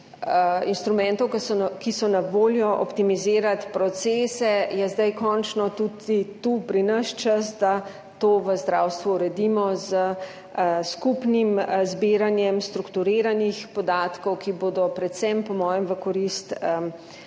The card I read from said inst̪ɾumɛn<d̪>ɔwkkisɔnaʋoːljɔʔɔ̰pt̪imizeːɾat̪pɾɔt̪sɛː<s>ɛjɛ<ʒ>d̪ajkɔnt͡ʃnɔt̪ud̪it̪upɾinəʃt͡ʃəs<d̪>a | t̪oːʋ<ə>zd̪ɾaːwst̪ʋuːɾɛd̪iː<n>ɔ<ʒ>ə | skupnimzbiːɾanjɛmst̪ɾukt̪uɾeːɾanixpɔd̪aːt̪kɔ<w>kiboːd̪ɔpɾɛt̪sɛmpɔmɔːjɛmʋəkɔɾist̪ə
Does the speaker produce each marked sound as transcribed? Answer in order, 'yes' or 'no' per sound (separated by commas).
no, yes, no, yes, yes, no, no, yes